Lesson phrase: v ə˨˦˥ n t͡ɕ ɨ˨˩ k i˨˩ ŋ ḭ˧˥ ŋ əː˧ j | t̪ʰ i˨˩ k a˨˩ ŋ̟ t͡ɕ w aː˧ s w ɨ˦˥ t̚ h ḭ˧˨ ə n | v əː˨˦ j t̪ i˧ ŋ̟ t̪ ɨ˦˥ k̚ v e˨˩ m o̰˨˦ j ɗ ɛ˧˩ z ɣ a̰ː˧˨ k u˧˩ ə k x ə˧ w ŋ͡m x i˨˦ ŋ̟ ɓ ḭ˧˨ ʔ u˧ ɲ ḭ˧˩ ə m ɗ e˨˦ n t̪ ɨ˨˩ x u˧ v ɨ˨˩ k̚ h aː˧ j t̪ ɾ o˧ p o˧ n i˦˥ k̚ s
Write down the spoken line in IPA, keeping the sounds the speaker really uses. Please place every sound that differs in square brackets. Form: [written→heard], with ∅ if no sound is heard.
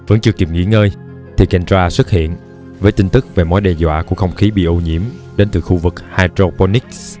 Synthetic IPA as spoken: v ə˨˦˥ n t͡ɕ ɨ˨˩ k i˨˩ ŋ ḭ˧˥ ŋ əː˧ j | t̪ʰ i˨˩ k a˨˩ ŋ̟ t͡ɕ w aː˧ s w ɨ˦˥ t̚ h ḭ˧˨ ə n | v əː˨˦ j t̪ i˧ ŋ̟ t̪ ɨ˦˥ k̚ v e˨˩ m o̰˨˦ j ɗ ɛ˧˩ z [ɣ→w] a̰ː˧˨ k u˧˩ ə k x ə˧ w ŋ͡m x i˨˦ [ŋ̟→∅] ɓ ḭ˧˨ ʔ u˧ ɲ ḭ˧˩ ə m ɗ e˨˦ n t̪ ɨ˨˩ x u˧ v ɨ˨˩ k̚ h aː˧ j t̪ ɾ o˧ p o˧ n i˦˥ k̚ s